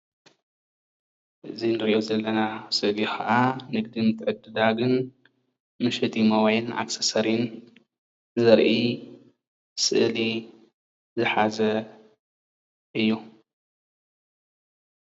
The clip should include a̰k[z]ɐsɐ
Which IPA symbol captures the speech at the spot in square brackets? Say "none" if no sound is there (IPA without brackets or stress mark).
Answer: s